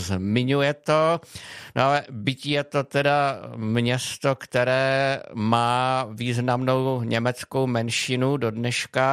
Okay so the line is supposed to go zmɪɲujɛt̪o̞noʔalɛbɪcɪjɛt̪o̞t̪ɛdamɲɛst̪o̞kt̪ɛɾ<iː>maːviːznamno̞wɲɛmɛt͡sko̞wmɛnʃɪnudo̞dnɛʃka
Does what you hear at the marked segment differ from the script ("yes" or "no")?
yes